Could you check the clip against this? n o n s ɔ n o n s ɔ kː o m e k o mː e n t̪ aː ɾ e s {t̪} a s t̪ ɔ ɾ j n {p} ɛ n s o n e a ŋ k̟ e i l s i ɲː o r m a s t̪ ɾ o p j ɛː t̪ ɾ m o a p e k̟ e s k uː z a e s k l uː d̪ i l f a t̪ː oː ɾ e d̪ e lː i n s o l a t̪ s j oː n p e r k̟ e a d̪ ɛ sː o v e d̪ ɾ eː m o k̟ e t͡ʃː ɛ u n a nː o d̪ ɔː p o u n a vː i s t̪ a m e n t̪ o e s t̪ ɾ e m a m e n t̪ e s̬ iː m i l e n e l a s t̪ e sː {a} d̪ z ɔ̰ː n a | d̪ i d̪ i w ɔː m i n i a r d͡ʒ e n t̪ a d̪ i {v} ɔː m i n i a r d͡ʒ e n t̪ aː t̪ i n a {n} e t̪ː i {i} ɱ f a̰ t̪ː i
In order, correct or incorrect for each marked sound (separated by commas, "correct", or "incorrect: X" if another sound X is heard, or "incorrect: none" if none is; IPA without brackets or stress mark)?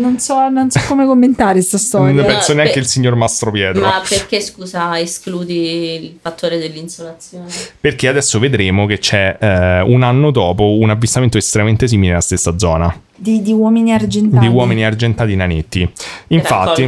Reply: correct, correct, correct, incorrect: w, correct, correct